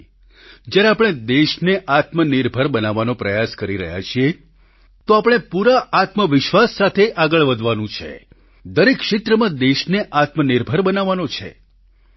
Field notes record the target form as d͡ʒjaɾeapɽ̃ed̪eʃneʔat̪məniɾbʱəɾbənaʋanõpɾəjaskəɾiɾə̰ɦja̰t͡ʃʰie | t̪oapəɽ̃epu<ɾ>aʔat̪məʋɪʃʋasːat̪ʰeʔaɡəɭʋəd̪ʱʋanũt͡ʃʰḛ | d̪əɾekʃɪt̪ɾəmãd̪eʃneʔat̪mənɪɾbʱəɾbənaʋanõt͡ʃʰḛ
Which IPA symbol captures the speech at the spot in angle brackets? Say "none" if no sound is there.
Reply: ɾ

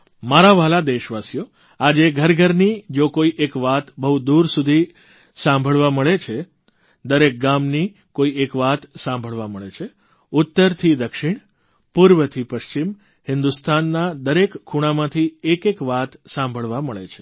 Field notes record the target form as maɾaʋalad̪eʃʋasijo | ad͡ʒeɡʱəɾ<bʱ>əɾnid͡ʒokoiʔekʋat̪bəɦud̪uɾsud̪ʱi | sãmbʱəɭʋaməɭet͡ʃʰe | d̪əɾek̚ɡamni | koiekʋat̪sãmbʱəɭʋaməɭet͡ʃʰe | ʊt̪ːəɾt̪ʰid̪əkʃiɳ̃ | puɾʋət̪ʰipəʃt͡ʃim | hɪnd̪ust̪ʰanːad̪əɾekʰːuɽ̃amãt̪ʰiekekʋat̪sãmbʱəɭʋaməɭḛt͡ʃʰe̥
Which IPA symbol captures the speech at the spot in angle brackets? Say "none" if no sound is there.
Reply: ɡʱ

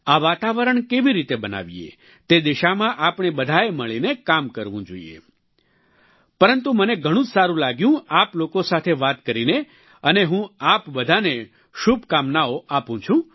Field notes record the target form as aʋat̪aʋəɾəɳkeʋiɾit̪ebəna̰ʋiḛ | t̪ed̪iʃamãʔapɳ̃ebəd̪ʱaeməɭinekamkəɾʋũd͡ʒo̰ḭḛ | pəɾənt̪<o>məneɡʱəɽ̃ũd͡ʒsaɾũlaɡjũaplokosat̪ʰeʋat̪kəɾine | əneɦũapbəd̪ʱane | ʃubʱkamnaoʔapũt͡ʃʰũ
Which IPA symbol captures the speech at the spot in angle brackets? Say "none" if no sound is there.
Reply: u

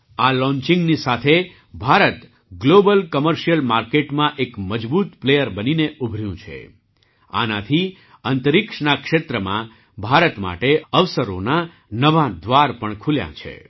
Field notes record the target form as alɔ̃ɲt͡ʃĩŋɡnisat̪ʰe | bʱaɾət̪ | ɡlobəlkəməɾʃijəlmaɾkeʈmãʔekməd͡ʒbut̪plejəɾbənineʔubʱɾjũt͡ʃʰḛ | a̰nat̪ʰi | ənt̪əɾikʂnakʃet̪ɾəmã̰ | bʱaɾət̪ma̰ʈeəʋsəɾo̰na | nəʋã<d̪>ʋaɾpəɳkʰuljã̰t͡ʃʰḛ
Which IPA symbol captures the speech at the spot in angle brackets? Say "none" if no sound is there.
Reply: d̪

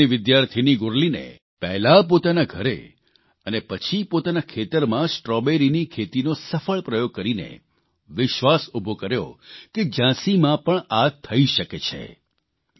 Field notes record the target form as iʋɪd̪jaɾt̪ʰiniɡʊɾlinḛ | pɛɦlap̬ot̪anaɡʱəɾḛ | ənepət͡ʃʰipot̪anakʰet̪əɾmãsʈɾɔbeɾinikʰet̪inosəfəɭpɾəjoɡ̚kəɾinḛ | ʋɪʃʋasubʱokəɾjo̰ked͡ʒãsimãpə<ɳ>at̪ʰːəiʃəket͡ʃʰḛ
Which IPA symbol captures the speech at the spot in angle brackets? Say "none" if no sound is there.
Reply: ɳ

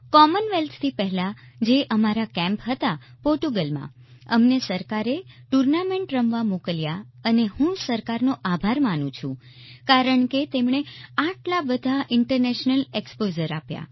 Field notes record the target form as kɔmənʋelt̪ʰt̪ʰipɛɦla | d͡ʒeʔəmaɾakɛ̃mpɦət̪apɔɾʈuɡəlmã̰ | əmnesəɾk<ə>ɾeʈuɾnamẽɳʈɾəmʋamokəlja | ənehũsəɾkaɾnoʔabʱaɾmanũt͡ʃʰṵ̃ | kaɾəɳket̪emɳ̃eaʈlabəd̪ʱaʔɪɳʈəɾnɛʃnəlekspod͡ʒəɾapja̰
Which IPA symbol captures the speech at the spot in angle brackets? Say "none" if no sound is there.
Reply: a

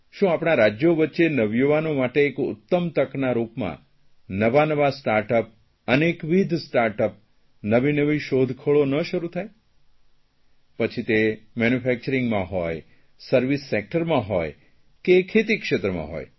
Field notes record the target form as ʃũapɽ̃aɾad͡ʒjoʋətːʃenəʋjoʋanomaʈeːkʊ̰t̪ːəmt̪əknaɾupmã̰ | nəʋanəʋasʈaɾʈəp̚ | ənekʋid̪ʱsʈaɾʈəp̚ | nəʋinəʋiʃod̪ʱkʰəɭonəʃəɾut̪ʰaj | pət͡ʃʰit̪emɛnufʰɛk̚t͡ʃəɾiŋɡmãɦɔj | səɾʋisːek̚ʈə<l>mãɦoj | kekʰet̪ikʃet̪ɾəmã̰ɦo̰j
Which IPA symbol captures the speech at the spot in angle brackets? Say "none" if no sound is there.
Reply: ɾ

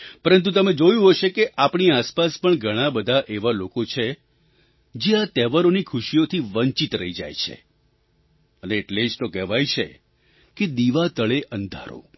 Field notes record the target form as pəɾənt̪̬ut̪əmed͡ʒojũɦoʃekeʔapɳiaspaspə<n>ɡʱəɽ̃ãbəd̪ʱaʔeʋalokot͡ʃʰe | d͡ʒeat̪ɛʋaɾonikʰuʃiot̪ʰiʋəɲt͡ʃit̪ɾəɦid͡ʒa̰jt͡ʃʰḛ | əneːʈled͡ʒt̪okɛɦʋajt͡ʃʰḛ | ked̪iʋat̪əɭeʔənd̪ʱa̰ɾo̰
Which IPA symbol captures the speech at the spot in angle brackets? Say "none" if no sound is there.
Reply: ɳ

